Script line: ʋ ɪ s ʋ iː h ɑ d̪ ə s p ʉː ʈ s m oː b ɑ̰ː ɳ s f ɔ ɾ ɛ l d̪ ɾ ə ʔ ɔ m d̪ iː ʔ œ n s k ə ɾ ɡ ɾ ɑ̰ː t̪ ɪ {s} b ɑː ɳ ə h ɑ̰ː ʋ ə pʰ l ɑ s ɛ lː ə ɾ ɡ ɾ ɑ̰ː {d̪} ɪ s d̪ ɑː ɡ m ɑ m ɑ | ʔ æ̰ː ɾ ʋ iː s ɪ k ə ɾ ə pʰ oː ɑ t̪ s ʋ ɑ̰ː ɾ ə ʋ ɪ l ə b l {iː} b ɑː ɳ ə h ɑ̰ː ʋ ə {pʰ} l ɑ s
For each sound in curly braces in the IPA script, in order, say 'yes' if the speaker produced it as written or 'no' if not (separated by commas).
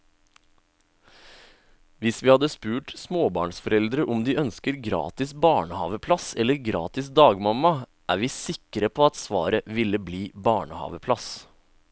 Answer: yes, no, yes, yes